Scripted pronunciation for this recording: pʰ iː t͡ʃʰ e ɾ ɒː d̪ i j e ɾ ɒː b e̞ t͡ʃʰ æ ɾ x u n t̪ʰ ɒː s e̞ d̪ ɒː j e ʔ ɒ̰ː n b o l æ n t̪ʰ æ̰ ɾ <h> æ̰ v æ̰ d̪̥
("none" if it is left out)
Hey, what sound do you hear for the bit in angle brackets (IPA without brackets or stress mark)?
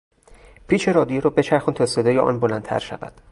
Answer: ʃ